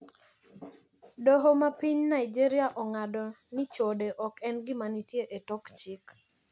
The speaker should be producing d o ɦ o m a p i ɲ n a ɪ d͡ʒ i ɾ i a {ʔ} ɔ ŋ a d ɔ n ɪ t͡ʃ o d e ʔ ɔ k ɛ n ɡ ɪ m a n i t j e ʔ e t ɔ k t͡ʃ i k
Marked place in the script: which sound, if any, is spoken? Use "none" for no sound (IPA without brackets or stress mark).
ʔ